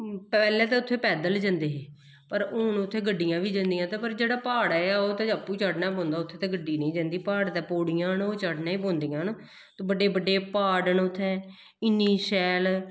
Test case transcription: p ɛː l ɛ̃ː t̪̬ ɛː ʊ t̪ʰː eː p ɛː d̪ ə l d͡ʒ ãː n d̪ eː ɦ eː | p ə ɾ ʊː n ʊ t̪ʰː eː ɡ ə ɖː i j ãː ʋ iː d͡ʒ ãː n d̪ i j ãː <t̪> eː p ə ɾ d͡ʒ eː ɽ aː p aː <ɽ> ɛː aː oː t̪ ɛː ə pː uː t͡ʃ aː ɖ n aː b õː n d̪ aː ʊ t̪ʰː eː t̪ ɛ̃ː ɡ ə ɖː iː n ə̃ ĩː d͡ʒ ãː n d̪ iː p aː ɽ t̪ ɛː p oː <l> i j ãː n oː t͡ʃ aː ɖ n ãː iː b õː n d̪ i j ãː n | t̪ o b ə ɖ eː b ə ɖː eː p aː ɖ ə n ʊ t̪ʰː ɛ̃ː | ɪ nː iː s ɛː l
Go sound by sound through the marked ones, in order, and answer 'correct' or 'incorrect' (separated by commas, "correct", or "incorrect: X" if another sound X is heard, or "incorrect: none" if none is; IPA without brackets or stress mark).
correct, correct, incorrect: ɽ